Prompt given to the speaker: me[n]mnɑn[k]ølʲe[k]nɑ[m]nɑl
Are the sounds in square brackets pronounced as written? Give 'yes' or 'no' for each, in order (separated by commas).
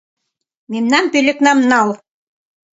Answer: no, no, yes, yes